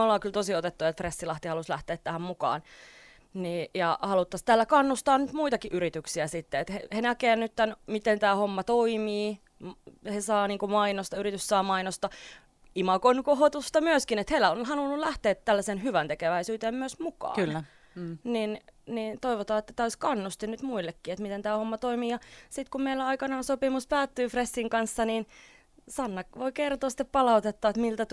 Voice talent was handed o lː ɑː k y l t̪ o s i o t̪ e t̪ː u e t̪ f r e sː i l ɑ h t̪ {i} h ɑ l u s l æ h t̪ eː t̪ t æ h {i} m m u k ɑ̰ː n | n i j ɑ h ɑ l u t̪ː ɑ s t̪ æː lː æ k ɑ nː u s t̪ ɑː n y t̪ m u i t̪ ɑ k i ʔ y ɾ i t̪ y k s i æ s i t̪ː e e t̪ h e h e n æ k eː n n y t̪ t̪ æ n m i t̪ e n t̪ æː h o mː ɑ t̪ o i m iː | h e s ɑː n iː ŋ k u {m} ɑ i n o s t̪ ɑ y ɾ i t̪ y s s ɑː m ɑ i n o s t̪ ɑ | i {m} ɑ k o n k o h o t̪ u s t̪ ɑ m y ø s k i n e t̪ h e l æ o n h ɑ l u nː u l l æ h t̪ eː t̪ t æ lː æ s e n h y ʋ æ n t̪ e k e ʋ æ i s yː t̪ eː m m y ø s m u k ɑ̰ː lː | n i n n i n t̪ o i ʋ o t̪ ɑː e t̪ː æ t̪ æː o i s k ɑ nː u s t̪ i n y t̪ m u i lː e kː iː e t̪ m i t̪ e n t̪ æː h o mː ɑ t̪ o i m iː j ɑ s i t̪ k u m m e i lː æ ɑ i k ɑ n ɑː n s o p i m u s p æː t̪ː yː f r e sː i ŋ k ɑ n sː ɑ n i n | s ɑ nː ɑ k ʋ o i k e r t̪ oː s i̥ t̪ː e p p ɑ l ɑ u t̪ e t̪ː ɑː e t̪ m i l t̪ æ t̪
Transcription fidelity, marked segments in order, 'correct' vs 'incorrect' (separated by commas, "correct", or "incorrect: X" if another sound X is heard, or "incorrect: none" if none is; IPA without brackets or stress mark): correct, incorrect: æ, correct, correct